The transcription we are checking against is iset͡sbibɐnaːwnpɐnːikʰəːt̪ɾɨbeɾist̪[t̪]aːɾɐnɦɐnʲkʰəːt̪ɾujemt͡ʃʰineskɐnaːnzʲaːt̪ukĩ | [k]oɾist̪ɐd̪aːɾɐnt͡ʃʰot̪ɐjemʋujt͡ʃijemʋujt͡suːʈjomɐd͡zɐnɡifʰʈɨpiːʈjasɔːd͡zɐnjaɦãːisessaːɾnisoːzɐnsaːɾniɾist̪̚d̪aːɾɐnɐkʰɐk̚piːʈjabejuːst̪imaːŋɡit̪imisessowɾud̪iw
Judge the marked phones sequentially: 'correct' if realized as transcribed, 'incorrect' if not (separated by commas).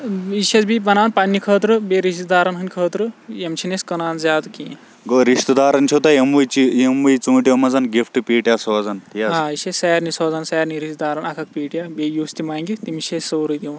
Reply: incorrect, incorrect